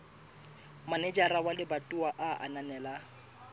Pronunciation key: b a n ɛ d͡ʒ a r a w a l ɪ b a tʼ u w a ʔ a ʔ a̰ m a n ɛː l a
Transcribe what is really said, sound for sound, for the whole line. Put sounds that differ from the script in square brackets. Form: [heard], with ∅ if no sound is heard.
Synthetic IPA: [m] a n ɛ d͡ʒ a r a w a l ɪ b a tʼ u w a ʔ a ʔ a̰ [n] a n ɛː l a